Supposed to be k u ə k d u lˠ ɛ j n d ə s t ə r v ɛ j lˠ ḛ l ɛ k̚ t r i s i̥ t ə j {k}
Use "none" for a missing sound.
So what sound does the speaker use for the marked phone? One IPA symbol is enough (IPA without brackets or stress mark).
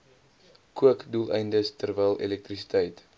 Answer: t